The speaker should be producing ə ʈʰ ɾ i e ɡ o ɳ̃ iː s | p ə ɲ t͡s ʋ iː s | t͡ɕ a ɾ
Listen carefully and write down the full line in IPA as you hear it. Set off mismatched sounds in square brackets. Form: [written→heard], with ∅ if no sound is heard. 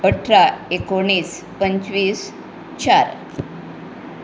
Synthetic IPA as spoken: ə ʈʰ ɾ [i→a] e [ɡ→k] o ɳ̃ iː s | p ə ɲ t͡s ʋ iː s | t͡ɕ a ɾ